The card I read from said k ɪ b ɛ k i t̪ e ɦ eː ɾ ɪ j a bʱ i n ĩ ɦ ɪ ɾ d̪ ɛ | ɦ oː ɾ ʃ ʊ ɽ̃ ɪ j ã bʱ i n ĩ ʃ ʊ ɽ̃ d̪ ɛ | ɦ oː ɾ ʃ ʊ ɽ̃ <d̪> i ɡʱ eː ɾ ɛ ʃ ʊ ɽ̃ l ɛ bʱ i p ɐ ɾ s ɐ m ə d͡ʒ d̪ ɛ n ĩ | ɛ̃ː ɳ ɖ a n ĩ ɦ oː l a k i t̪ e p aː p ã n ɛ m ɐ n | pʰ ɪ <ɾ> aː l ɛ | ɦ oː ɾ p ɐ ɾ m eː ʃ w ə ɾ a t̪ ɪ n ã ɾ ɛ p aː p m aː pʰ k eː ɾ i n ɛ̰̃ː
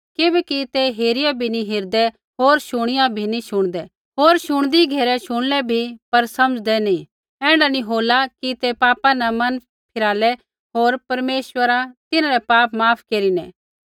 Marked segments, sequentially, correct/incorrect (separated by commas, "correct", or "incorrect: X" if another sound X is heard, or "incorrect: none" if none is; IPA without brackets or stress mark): correct, correct